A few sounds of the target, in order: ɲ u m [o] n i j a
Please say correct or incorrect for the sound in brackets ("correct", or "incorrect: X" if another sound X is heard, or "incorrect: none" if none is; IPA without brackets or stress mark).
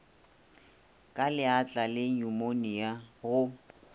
correct